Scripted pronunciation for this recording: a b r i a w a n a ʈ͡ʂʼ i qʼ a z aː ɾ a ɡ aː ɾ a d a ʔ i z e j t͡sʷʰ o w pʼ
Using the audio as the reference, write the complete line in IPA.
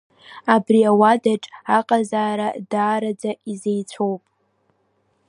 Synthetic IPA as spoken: a b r i a w a d a ʈ͡ʂʼ a qʼ a z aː ɾ a d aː ɾ a d͡z a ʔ i z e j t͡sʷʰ o w pʼ